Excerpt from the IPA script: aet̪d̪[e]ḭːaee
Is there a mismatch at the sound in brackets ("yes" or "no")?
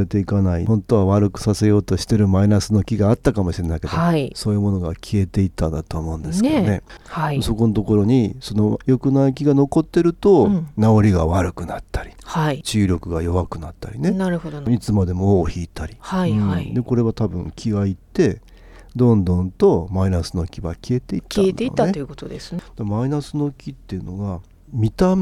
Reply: no